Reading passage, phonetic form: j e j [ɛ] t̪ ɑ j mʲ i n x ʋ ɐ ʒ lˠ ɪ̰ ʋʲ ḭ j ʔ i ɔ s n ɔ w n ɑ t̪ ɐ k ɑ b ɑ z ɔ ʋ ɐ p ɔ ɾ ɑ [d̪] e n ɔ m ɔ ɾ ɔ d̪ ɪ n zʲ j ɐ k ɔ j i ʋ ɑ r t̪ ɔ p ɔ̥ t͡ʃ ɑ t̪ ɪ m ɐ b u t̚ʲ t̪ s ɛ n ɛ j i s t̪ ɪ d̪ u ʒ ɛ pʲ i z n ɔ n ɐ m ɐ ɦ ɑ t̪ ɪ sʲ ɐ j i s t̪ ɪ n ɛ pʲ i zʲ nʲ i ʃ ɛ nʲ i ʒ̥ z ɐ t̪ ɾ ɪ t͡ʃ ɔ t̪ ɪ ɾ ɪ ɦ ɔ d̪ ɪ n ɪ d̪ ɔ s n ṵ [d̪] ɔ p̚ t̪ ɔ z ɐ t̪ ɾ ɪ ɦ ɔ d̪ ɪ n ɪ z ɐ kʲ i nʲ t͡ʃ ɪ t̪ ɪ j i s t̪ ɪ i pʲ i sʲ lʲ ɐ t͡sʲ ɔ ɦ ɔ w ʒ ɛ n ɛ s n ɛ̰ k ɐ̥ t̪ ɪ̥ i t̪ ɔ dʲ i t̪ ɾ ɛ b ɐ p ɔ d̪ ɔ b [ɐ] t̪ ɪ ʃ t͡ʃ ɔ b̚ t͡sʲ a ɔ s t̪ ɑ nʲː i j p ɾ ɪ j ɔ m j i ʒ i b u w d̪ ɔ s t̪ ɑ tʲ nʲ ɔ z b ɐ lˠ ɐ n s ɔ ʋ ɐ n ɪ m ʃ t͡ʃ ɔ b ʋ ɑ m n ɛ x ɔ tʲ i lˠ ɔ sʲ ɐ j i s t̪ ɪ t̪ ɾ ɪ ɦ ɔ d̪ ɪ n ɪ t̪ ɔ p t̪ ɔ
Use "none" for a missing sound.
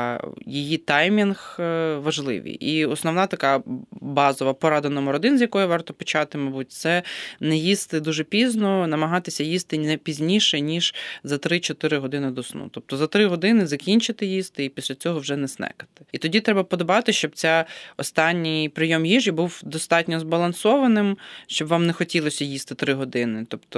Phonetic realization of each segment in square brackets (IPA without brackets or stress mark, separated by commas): i, d̪, t̪, ɑ